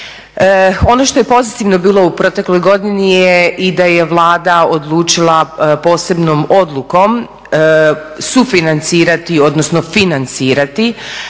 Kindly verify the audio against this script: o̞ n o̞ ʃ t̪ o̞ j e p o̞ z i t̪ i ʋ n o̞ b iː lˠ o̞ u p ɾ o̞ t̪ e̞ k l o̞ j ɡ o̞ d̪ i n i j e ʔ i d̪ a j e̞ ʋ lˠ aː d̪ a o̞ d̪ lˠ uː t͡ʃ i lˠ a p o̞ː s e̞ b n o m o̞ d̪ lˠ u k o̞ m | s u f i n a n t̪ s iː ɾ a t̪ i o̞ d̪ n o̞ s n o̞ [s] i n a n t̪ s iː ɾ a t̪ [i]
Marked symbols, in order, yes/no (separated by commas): no, yes